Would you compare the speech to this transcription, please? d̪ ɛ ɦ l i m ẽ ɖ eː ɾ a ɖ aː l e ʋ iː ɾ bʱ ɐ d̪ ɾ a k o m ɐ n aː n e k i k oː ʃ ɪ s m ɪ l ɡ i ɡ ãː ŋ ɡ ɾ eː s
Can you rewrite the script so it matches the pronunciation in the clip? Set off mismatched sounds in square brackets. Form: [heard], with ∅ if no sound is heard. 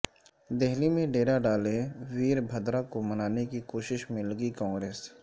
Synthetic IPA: d̪ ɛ ɦ l i m ẽ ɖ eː ɾ a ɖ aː l e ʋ iː ɾ bʱ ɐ d̪ ɾ a k o m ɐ n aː n e k i k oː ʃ ɪ [ʃ] m ɪ l ɡ i [k] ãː ŋ ɡ ɾ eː s